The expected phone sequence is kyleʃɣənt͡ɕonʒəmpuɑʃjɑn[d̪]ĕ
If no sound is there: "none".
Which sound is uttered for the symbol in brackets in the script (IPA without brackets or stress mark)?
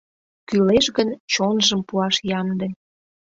d̪